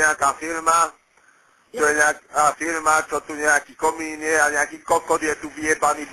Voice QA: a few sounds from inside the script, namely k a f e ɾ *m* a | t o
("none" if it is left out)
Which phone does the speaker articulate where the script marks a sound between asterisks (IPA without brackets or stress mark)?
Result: m